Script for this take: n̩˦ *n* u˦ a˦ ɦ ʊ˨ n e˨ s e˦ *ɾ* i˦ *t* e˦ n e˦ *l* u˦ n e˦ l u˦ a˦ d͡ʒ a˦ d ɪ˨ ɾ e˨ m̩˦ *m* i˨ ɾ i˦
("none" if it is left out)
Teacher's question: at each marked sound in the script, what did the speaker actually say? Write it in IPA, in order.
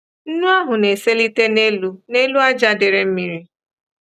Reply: n, l, t, l, m

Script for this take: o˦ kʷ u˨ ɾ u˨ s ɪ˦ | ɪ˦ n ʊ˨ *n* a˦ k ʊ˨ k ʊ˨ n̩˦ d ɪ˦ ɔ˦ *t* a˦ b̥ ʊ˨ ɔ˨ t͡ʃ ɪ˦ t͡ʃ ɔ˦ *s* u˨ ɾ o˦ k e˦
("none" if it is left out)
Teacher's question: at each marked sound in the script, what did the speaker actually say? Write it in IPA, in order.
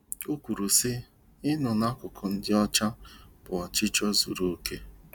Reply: n, t͡ʃ, z

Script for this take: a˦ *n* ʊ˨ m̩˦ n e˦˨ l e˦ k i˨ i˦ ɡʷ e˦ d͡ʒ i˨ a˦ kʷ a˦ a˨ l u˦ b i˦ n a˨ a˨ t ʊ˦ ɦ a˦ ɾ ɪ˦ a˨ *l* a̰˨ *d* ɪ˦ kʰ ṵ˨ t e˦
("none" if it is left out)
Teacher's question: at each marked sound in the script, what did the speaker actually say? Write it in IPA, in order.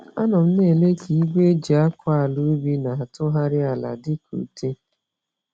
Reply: n, l, d

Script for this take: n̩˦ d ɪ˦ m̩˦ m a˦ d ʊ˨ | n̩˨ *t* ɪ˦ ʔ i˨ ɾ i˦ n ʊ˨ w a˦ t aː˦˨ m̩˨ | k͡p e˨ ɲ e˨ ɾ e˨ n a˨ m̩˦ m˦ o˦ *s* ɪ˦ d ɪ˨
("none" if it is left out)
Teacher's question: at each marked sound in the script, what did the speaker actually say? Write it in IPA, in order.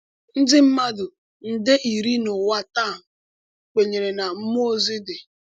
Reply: d, z

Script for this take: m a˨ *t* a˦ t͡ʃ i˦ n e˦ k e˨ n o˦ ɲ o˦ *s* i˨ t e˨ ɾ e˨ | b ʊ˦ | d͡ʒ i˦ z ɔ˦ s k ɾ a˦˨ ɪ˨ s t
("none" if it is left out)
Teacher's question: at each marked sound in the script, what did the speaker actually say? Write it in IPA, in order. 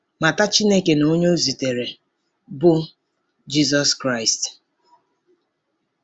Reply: t, z

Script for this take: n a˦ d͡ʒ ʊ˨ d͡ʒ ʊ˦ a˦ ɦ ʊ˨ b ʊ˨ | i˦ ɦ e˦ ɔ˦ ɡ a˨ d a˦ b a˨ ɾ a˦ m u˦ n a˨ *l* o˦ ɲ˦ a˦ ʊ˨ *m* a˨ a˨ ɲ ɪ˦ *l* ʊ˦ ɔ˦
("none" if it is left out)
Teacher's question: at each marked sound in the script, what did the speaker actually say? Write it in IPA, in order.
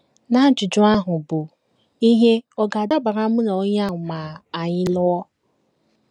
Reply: none, m, l

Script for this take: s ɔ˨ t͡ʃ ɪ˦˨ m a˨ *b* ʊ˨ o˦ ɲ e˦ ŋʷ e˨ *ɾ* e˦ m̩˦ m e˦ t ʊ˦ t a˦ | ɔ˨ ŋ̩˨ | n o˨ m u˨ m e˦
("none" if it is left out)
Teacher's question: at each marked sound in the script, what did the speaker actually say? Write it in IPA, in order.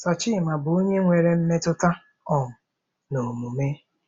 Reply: b, ɾ

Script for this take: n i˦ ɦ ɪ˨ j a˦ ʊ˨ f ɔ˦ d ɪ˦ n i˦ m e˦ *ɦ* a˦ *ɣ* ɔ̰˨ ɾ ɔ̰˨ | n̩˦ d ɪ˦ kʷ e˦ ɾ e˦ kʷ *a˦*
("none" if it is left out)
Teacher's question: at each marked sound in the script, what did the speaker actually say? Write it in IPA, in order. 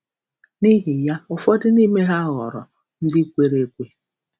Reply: ɦ, ɣ, e˦

